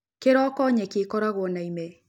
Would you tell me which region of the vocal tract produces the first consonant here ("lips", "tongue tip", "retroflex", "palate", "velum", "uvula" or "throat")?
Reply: velum